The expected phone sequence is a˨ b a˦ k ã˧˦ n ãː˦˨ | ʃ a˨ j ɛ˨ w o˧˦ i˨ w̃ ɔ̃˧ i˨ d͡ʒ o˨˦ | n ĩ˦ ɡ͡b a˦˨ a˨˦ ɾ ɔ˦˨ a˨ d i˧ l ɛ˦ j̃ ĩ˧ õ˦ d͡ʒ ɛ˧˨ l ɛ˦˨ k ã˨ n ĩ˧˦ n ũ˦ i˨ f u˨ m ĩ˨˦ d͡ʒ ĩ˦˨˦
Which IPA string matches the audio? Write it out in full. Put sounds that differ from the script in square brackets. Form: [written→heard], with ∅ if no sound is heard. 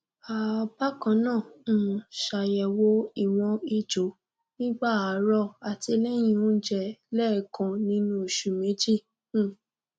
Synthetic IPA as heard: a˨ b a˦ k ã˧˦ n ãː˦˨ | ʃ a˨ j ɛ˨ w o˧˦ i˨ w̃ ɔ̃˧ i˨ d͡ʒ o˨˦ | n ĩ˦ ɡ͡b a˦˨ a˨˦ ɾ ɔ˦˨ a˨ [d→t] i˧ l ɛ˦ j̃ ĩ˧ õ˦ d͡ʒ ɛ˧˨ l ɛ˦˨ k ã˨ n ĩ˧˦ n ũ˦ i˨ [f→ʃ] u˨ m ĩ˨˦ d͡ʒ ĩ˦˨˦